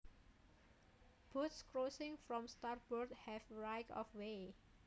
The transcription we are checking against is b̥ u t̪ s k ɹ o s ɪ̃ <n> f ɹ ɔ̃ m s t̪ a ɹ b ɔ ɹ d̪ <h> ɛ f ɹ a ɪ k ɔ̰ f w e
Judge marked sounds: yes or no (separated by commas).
no, yes